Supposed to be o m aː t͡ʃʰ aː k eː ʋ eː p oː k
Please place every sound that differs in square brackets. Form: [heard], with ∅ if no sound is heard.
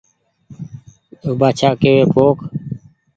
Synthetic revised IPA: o [b] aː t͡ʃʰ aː k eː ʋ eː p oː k